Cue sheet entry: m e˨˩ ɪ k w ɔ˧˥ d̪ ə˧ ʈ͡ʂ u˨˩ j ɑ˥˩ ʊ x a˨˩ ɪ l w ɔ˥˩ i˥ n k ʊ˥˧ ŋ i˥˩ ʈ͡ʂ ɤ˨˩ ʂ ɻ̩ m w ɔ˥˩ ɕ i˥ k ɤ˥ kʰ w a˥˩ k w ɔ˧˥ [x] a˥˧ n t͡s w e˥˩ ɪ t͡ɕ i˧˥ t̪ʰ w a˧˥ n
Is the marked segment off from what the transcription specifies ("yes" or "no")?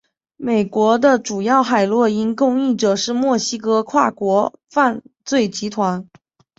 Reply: yes